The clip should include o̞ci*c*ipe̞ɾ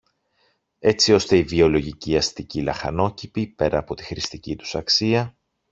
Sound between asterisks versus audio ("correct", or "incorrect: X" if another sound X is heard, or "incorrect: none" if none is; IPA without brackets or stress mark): incorrect: p